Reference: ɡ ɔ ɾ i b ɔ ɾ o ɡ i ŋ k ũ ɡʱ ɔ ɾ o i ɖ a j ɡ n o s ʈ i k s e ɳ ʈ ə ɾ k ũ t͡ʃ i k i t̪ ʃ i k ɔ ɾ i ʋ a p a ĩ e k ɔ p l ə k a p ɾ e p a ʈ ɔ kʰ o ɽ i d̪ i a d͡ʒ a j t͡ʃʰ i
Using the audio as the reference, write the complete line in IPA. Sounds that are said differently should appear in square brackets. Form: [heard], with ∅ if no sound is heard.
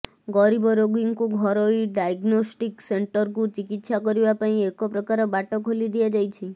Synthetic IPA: ɡ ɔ ɾ i b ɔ ɾ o ɡ i ŋ k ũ ɡʱ ɔ ɾ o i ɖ a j ɡ n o s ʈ i k s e ɳ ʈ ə ɾ k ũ t͡ʃ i k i t̪ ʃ [a] k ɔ ɾ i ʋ a p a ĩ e k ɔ p [ɾ] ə k a [∅] ɾ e [b] a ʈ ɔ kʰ o [l] i d̪ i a d͡ʒ a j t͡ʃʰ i